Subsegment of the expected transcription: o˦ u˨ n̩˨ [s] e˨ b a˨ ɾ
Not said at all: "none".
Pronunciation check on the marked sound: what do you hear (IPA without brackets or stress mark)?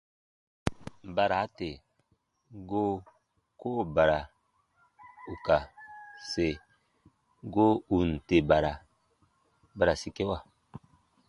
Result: t